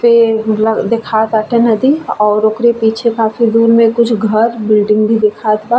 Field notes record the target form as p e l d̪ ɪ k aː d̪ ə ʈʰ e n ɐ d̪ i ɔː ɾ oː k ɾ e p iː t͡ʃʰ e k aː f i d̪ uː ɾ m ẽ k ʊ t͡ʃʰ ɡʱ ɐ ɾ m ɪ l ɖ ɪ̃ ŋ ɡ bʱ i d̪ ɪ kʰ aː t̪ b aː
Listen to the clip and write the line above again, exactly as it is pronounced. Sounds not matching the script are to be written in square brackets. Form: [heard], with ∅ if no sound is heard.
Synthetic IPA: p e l d̪ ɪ [kʰ] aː [t̪] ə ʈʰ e n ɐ d̪ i ɔː ɾ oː k ɾ e p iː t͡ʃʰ e k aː f i d̪ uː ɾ m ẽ k ʊ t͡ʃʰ ɡʱ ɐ ɾ [b] ɪ l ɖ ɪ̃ ŋ ɡ bʱ i d̪ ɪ kʰ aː t̪ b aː